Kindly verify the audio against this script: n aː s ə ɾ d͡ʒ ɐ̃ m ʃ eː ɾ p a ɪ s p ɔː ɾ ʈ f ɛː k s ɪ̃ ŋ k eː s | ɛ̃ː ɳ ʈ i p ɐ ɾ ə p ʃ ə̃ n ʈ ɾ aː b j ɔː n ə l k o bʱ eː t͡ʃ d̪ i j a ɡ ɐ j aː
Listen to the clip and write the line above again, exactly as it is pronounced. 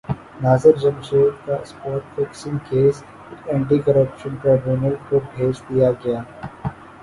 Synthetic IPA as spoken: n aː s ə ɾ d͡ʒ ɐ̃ m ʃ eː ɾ k a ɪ s p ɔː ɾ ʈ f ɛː k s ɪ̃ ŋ k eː s | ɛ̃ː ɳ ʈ i k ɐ ɾ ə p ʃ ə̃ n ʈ ɾ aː b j uː n ə l k o bʱ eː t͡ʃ d̪ i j a ɡ ɐ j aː

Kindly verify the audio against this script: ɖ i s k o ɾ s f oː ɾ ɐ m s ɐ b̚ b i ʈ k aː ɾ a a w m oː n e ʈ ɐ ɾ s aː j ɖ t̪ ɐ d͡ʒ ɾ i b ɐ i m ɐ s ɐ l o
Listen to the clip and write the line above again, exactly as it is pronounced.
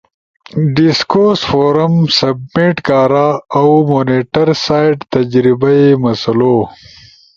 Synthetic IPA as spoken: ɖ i s k o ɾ s f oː ɾ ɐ m s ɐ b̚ m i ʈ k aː ɾ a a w m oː n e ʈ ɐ ɾ s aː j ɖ t̪ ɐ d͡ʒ ɾ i b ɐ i m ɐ s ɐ l o

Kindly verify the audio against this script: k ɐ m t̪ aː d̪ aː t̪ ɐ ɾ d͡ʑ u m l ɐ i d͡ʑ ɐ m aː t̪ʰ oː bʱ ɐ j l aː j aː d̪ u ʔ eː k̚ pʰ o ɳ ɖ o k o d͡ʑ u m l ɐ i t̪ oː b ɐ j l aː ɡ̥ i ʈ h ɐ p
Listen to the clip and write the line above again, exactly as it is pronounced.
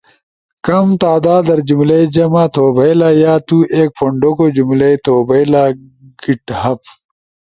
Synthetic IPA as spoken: k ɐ m t̪ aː d̪ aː d̪ ɐ ɾ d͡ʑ u m l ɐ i d͡ʑ ɐ m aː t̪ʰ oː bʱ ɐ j l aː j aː t̪ u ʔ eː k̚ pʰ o ɳ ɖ o k o d͡ʑ u m l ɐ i t̪ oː b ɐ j l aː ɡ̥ i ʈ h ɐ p

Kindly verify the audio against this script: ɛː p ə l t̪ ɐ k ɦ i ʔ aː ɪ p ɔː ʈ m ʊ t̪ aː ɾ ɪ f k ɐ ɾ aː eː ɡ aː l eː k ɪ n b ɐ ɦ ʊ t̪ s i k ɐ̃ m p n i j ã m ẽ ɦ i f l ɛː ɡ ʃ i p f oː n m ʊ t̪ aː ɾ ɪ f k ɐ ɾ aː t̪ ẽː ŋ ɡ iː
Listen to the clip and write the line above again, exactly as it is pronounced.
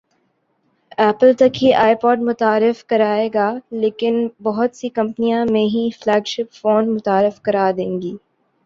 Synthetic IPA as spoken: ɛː p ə l t̪ ɐ k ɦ i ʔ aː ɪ p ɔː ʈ m ʊ t̪ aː ɾ ɪ f k ɐ ɾ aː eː ɡ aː l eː k ɪ n b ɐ ɦ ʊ t̪ s i k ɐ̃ m p n i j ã m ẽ ɦ i f l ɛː ɡ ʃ ɪ p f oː n m ʊ t̪ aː ɾ ɪ f k ɐ ɾ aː d̪ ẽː ŋ ɡ iː

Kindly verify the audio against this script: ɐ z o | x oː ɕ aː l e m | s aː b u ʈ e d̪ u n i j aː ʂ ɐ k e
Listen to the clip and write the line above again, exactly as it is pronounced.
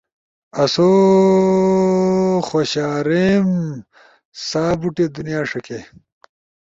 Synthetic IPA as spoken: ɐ s o | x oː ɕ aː ɾ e m | s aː b u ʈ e d̪ u n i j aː ʂ ɐ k e

